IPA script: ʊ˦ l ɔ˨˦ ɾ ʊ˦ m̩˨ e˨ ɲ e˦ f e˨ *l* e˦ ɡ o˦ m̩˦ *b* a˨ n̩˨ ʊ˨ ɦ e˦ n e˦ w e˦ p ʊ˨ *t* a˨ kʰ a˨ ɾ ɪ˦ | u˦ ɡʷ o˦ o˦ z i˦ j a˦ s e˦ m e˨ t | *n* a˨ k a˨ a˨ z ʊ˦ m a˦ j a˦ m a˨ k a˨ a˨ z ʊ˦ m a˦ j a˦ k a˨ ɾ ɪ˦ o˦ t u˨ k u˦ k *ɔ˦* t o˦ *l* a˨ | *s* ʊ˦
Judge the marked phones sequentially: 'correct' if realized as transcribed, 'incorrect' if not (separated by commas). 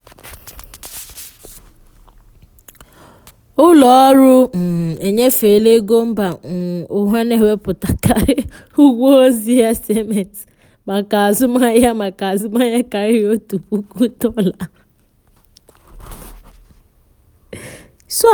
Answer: correct, correct, correct, incorrect, incorrect, correct, correct